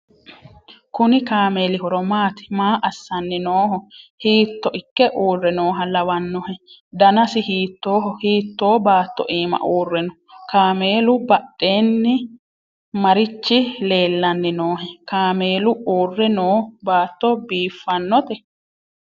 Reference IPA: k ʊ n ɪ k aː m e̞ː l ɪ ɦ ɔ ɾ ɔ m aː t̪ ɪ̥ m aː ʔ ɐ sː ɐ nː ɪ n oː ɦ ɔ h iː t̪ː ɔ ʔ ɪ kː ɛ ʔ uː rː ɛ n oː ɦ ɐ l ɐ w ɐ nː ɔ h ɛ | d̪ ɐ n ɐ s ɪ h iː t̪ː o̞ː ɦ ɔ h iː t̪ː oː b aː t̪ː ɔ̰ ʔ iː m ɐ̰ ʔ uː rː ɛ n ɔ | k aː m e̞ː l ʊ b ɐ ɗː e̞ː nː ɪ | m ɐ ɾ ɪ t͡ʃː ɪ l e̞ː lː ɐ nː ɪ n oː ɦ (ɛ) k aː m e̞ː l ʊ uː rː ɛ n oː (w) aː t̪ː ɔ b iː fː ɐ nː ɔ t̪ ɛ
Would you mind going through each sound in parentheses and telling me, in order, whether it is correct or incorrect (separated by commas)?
correct, incorrect